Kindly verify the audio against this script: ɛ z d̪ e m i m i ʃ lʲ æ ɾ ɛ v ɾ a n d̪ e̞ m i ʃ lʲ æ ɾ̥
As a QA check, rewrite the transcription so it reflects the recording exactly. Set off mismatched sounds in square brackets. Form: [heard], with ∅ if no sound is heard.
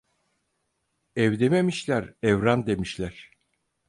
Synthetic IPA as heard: ɛ [v] d̪ e m [e] m i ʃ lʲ æ ɾ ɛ v ɾ a n d̪ e̞ m i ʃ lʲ æ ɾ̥